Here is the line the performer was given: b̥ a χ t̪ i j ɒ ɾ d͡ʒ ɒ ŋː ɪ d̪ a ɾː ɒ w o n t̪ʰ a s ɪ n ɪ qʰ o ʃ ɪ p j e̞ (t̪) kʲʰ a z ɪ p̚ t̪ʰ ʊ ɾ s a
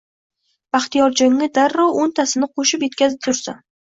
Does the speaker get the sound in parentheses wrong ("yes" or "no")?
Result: no